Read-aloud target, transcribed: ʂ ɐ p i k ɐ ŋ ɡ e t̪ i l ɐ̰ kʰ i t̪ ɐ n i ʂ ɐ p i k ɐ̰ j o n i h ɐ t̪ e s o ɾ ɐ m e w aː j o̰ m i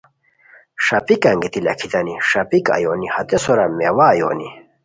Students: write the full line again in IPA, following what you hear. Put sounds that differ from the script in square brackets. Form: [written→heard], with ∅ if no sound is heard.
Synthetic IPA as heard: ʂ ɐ p i k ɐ ŋ ɡ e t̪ i l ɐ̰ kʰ i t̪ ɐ n i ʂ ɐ p i k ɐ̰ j o n i h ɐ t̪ e s o ɾ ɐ m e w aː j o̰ [m→n] i